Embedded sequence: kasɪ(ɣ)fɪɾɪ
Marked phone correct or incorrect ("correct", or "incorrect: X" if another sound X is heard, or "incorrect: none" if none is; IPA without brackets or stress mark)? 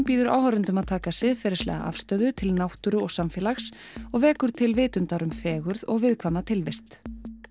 incorrect: ð